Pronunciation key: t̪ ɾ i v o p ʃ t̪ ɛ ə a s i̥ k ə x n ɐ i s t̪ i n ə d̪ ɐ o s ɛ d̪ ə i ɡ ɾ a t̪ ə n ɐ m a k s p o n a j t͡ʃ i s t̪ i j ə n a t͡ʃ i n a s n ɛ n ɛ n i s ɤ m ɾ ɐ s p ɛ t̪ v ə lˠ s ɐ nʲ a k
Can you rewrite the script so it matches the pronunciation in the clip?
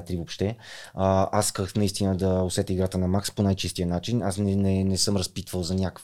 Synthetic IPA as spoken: t̪ ɾ i v o p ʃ t̪ ɛ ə a s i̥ k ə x n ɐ i s t̪ i n ə d̪ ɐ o s ɛ t̪ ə i ɡ ɾ a t̪ ə n ɐ m a k s p o n a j t͡ʃ i s t̪ i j ə n a t͡ʃ i n a s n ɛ n ɛ n ɛ s ɤ m ɾ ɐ s p i t̪ v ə lˠ z ɐ nʲ a k